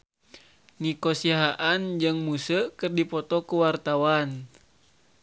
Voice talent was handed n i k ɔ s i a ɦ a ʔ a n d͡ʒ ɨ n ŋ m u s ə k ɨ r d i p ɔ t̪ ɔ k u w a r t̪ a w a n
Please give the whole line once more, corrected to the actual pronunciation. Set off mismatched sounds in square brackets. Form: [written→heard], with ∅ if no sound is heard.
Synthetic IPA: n i k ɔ s i a ɦ a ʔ a n d͡ʒ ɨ [n→∅] ŋ m u s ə k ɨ r d i p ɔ t̪ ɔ k u w a r t̪ a w a n